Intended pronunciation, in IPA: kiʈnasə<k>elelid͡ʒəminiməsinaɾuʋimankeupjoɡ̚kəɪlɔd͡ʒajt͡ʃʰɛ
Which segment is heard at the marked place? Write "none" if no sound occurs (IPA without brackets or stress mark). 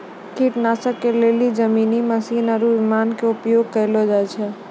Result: k